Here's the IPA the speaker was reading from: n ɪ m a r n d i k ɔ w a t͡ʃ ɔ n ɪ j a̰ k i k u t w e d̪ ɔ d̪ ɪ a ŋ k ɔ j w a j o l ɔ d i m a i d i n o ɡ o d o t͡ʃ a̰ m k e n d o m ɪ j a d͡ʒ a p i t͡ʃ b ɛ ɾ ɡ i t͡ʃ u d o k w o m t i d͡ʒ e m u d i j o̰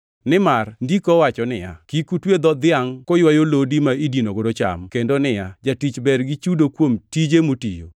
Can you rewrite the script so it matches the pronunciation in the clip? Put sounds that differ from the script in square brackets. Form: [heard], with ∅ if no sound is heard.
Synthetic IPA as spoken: n ɪ m a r n d i k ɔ w a t͡ʃ ɔ n ɪ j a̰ k i k u t w e d̪ ɔ d̪ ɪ a ŋ k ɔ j w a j o l [o] d i m a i d i n o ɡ o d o t͡ʃ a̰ m k e n d o [n] ɪ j a d͡ʒ a [t] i t͡ʃ b ɛ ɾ ɡ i t͡ʃ u d o k w o m t i d͡ʒ e m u [t] i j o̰